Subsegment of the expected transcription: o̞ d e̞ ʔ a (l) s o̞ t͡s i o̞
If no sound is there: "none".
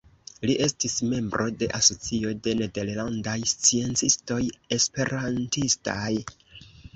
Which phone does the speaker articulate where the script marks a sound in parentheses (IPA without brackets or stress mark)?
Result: none